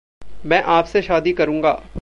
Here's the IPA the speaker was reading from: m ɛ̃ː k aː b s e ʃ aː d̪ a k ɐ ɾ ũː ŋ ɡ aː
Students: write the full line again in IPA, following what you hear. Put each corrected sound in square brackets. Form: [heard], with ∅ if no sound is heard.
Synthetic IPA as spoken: m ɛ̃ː [ʔ] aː [p] s e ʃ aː d̪ [i] k ɐ ɾ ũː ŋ ɡ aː